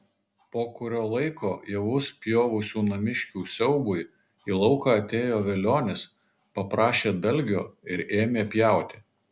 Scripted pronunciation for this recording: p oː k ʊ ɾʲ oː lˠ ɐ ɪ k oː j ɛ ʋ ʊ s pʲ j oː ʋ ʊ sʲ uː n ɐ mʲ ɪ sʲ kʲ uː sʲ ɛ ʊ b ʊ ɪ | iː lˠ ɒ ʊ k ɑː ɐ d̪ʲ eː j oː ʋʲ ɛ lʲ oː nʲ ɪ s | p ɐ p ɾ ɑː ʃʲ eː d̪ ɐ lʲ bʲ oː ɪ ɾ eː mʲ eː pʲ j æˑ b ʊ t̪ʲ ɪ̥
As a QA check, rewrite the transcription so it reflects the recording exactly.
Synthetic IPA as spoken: p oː k ʊ ɾʲ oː lˠ ɐ ɪ k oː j ɛ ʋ ʊ s pʲ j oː ʋ ʊ sʲ uː n ɐ mʲ ɪ ʃʲ kʲ uː sʲ ɛ ʊ b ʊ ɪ | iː lˠ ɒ ʊ k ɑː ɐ t̪ʲ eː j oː ʋʲ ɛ lʲ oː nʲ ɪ s | p ɐ p ɾ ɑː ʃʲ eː d̪ ɐ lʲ ɡʲ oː ɪ ɾ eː mʲ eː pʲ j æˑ ʊ t̪ʲ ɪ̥